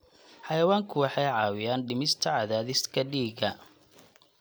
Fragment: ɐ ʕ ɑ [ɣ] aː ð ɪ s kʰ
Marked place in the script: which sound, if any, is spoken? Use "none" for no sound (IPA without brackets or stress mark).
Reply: ð